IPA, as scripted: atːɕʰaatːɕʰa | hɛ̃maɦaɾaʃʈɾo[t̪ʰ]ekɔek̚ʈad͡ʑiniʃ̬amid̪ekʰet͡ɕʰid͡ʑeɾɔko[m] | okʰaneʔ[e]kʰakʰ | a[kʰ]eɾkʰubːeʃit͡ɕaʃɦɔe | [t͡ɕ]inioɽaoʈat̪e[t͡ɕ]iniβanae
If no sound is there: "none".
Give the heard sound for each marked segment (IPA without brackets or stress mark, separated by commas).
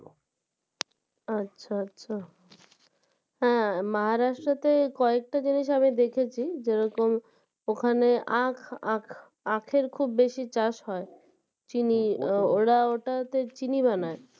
t̪, m, a, kʰ, t͡ɕ, t͡ɕ